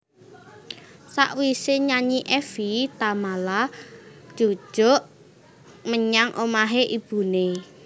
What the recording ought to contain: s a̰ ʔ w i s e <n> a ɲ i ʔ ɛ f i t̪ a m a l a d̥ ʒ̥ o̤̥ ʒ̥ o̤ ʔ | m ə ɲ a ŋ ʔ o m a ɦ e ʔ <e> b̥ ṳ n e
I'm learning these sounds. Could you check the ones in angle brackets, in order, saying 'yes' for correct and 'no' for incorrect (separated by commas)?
no, no